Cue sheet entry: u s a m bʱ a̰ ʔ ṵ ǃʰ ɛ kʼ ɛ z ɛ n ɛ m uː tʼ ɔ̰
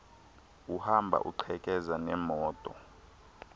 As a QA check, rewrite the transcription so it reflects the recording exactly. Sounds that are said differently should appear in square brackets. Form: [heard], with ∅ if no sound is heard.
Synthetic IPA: u [h] a m bʱ a̰ ʔ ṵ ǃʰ ɛ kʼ ɛ z [a] n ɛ m [ɔː] tʼ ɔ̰